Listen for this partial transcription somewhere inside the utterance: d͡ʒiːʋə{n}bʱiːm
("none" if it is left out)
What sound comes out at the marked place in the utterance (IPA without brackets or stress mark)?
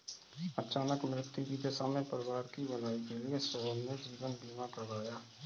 n